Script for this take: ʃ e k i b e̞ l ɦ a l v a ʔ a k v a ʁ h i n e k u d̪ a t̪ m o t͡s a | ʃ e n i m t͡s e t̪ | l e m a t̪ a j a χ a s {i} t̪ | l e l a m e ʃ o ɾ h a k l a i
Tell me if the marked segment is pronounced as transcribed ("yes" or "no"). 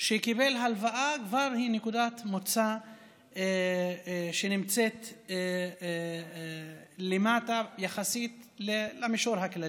yes